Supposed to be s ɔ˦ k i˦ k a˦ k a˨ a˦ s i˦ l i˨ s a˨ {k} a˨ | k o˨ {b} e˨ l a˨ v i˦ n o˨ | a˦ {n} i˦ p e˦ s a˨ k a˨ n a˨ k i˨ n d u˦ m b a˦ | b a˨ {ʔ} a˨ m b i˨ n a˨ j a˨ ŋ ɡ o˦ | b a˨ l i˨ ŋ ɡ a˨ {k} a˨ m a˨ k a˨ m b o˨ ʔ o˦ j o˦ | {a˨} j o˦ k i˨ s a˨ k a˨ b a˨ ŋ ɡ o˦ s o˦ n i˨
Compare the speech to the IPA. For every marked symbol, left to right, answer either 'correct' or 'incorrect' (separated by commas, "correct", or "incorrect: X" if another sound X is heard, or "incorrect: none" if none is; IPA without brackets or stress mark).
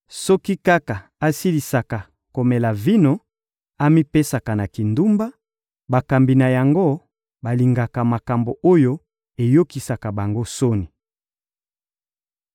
correct, incorrect: m, incorrect: m, incorrect: k, correct, incorrect: e˨